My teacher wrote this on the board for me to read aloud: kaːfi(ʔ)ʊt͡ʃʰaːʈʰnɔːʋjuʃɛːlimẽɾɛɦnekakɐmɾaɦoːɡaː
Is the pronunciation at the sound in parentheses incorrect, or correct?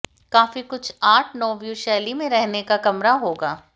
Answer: incorrect